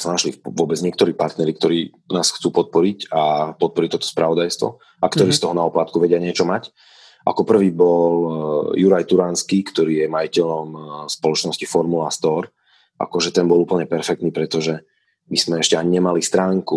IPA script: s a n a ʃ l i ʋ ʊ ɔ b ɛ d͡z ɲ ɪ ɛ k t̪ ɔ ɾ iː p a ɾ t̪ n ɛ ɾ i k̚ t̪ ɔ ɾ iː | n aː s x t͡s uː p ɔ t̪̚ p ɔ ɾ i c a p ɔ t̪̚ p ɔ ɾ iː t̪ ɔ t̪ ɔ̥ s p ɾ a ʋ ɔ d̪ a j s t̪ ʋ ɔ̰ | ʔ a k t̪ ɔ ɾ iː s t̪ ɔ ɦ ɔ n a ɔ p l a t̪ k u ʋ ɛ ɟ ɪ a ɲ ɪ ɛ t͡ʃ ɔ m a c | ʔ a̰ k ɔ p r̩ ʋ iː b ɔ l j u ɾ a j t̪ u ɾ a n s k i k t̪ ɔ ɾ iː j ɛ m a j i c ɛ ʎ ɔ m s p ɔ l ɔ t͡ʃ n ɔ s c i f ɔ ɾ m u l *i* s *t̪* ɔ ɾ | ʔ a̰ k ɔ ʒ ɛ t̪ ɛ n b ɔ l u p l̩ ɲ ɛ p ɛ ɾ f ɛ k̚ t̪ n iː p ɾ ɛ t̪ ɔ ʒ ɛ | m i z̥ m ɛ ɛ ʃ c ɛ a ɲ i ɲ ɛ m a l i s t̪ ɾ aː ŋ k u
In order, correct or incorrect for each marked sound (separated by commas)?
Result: incorrect, correct